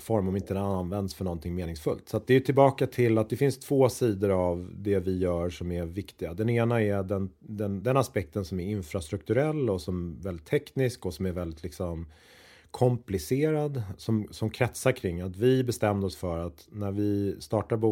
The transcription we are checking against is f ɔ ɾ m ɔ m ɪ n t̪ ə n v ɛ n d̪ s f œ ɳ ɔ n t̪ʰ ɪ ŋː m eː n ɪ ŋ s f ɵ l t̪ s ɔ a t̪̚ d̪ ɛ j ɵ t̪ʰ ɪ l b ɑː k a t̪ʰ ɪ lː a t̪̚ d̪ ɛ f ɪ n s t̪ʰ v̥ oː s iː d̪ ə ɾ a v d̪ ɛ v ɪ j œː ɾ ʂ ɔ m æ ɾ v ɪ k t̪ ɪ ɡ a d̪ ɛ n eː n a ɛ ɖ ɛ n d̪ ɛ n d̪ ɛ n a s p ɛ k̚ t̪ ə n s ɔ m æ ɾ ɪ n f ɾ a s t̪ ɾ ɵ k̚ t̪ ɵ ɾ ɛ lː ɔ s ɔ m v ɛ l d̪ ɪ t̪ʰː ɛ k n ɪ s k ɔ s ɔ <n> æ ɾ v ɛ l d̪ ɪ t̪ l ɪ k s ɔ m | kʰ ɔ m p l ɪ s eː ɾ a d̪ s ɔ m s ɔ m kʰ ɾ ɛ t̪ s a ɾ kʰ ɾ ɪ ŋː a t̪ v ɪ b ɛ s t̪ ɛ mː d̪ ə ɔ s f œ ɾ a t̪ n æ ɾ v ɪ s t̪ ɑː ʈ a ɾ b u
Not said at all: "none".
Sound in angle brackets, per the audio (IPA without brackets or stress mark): m